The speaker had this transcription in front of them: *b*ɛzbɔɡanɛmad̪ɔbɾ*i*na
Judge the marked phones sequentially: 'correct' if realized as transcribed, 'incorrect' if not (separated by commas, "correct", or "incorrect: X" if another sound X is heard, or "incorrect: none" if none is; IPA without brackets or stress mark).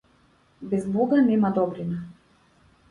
correct, correct